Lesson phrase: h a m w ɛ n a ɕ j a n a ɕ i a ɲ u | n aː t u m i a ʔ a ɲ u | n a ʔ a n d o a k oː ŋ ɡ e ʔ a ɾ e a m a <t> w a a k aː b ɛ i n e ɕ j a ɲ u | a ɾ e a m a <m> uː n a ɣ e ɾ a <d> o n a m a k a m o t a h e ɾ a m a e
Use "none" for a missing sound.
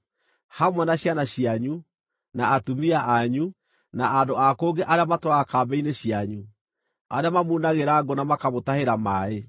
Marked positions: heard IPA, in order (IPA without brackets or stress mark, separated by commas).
t, m, ɡ